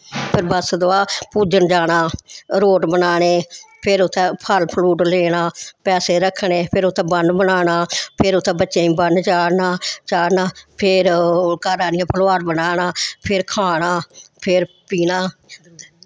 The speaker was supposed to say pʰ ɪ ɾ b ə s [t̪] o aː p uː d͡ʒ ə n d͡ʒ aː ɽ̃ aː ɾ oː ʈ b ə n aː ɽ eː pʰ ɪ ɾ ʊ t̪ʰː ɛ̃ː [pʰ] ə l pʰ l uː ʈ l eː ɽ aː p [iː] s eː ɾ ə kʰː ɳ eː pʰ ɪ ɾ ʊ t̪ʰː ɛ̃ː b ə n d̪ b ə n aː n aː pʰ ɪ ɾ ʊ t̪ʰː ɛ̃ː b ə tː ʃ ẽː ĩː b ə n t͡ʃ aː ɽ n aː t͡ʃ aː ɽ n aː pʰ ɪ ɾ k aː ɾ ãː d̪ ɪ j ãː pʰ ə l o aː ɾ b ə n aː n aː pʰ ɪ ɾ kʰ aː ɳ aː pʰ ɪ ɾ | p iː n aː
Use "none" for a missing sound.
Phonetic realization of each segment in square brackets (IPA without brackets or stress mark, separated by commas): d̪, pʰ, ɛː